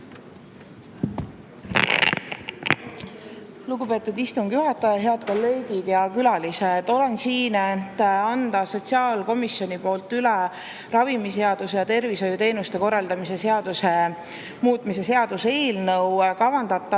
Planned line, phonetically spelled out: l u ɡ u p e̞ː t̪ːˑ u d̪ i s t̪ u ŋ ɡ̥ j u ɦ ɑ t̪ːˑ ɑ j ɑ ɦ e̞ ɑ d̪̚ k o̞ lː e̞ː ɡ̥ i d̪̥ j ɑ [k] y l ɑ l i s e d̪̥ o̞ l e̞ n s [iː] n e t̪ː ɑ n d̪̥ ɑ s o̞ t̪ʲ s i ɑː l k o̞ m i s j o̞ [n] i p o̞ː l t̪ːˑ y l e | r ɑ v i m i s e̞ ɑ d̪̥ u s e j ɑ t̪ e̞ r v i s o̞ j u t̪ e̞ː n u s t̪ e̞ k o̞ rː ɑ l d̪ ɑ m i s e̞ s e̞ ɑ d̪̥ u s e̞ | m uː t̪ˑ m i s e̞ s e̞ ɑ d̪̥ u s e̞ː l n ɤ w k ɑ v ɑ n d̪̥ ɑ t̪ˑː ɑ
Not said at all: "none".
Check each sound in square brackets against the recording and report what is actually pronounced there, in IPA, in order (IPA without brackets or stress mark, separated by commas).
k, iː, n